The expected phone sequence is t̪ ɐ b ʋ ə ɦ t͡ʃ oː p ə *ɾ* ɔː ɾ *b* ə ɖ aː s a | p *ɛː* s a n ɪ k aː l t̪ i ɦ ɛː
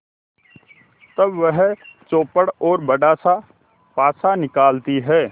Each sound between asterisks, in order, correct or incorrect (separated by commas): incorrect, correct, incorrect